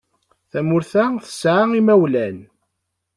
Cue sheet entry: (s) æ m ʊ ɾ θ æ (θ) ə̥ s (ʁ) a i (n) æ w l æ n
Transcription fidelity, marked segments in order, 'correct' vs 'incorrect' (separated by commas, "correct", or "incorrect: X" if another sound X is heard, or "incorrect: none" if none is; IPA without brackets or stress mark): incorrect: θ, correct, incorrect: ʕ, incorrect: m